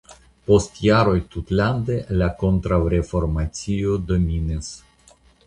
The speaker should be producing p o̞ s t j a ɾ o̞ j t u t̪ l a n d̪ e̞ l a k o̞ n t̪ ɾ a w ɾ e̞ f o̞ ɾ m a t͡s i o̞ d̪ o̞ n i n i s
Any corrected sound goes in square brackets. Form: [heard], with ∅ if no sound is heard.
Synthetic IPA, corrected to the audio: p o̞ s t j a ɾ o̞ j t u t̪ l a n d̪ e̞ l a k o̞ n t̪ ɾ a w ɾ e̞ f o̞ ɾ m a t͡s i o̞ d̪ o̞ [m] i n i s